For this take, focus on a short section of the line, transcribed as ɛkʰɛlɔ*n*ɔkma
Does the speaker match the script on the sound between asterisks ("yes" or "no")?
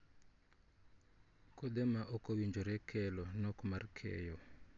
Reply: yes